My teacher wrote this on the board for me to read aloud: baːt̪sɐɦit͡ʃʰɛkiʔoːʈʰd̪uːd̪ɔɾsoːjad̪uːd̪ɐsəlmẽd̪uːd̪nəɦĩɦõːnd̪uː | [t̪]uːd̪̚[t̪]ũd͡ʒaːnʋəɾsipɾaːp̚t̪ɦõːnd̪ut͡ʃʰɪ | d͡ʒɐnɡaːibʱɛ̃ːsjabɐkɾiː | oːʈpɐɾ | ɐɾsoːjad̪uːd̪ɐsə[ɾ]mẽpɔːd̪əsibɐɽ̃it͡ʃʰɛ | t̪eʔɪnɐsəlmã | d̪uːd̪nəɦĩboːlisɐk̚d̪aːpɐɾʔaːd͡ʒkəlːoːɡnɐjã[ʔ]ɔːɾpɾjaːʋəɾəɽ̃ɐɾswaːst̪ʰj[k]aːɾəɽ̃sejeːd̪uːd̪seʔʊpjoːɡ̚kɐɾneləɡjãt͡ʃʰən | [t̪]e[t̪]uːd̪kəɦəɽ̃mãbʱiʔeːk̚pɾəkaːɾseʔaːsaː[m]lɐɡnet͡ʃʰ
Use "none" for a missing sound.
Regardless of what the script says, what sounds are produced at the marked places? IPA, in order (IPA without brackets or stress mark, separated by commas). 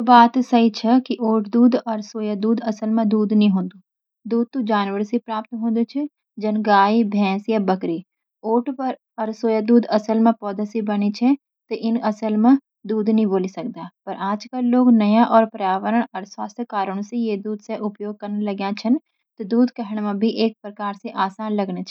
d̪, t̪, l, ʔ, k, t̪, d̪, n